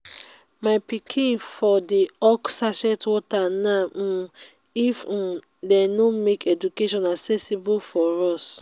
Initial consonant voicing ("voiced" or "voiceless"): voiced